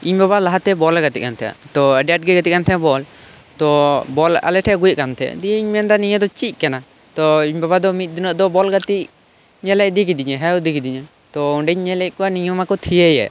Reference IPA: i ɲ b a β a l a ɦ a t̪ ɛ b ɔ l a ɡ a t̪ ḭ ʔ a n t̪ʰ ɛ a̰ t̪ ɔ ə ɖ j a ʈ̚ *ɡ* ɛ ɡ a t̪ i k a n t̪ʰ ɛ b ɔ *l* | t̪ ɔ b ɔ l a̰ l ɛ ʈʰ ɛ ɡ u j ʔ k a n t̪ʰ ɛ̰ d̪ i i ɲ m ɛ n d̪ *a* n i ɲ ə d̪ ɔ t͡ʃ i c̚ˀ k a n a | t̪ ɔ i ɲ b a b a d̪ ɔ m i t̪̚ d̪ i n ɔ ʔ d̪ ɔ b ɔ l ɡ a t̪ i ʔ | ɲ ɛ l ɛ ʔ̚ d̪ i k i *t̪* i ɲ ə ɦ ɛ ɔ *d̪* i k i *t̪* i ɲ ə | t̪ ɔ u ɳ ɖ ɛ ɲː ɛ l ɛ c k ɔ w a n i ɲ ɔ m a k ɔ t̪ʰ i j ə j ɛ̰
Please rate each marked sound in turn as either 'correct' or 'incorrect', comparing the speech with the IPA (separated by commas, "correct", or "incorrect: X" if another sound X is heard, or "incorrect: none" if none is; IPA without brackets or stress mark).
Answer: correct, correct, correct, incorrect: d̪, correct, incorrect: d̪